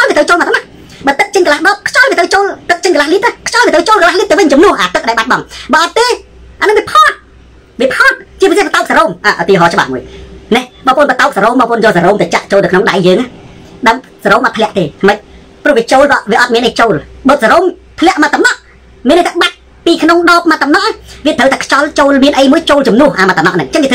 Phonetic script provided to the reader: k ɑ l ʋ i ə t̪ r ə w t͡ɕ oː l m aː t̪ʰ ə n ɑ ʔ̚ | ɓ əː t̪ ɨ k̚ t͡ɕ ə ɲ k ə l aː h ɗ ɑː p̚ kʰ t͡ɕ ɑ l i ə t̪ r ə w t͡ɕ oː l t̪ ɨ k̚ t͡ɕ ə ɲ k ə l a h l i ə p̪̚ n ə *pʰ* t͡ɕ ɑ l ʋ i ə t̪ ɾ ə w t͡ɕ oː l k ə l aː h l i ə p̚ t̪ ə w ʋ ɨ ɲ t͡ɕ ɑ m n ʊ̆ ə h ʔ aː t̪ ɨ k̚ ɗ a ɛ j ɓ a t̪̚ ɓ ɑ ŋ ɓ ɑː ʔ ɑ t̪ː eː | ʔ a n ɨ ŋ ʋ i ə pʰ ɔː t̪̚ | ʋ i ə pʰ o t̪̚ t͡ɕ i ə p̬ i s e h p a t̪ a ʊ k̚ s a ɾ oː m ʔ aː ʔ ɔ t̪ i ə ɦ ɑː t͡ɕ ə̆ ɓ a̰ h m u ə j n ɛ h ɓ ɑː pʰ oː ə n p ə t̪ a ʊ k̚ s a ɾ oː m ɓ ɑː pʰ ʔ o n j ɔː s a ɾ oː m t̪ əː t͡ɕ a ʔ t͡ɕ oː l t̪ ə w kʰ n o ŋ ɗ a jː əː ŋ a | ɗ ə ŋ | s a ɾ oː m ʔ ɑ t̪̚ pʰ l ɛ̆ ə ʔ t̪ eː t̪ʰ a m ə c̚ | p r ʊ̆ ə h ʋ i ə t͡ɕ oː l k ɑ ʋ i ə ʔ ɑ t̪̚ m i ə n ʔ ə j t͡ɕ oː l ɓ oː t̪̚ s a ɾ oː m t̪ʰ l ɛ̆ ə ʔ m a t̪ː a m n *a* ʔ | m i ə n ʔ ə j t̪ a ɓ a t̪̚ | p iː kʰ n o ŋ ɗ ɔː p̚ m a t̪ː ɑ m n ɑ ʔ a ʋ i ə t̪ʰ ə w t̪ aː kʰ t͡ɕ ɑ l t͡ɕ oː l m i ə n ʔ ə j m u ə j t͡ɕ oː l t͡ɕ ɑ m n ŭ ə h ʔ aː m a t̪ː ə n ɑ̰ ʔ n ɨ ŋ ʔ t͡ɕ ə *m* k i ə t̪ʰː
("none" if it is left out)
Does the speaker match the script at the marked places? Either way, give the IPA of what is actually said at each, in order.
kʰ, ɑ, ŋ

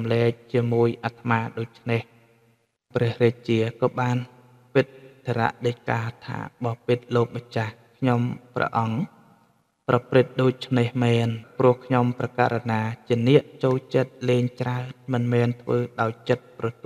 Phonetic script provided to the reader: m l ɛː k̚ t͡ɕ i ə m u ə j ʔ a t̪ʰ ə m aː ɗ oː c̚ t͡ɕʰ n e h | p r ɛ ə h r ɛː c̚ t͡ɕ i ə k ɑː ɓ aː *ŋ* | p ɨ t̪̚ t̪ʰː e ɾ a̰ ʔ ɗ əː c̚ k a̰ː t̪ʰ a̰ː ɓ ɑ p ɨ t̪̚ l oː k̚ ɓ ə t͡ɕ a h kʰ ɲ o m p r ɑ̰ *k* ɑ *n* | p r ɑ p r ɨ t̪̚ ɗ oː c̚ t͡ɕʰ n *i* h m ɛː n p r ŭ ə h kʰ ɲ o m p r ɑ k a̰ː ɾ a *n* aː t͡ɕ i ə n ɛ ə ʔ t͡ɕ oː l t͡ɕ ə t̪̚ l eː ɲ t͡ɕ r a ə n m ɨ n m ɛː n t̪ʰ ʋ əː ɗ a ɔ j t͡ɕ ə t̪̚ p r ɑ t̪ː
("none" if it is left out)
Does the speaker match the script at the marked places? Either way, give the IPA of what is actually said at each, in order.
n, ʔ, ŋ, e, n

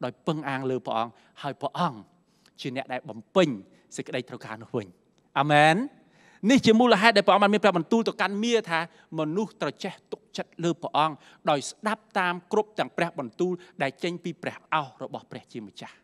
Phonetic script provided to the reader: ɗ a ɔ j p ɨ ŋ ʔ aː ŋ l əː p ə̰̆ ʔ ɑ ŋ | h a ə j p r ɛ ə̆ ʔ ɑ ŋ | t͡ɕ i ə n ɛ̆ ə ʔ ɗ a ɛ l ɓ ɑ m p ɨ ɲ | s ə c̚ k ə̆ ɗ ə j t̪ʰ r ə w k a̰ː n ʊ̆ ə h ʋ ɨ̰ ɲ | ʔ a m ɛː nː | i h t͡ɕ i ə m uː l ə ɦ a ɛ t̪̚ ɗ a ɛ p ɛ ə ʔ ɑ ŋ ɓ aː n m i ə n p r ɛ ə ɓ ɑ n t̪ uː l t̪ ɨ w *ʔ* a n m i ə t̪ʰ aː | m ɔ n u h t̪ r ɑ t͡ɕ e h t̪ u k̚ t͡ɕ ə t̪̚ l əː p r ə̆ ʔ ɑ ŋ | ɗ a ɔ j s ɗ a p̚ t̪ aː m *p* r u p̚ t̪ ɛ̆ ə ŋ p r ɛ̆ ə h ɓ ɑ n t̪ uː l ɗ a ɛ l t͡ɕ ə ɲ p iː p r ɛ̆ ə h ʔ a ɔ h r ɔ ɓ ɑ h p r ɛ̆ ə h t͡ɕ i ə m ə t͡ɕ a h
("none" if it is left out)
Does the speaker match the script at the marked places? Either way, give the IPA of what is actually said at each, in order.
k, k

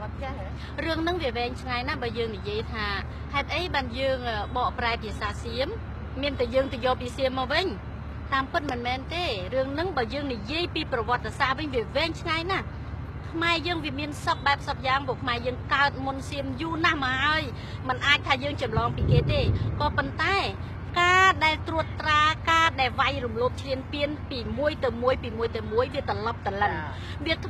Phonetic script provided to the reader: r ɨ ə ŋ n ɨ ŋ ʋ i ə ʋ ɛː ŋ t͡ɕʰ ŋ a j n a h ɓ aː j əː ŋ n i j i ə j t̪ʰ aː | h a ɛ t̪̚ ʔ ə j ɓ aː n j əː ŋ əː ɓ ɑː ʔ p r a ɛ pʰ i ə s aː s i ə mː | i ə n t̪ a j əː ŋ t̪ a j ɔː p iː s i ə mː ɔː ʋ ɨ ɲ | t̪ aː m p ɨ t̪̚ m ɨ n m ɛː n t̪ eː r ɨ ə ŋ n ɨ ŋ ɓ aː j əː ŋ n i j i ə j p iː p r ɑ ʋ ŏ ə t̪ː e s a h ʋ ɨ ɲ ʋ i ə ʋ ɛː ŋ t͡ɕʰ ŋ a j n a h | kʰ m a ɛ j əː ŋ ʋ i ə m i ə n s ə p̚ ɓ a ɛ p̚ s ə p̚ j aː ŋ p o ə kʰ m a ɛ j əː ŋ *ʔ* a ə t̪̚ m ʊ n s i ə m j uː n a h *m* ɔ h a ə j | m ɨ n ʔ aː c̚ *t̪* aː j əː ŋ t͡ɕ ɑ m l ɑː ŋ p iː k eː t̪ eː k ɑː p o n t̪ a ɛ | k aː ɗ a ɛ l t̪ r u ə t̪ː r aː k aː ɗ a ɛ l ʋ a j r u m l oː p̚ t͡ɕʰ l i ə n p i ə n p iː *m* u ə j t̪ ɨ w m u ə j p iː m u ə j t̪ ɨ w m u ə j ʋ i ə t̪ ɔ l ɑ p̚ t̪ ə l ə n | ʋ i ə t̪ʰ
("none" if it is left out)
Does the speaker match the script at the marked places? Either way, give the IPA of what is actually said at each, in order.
k, m, t̪ʰ, m

